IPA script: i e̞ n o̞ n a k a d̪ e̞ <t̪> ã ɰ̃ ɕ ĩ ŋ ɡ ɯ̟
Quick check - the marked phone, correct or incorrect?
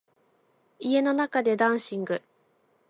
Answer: incorrect